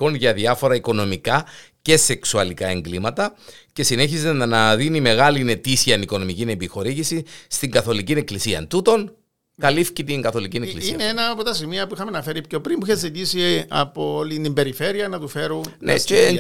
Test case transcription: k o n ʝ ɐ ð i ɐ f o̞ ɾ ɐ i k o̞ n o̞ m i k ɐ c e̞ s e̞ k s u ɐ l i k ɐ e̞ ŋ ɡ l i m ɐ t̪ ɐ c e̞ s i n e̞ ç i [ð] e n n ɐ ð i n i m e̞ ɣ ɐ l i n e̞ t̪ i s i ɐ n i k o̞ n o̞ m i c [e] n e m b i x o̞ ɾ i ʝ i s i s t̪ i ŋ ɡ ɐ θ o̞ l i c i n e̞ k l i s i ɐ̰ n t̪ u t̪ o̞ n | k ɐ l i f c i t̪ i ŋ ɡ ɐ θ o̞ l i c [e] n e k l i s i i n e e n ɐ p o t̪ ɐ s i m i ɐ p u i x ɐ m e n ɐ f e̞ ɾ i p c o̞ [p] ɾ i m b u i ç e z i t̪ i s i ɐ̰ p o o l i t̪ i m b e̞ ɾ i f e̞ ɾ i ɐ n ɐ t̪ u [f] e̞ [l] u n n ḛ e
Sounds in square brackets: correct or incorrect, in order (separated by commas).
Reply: incorrect, incorrect, incorrect, correct, correct, incorrect